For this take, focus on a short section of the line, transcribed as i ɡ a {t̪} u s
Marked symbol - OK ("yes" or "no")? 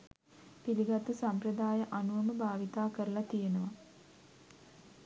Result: yes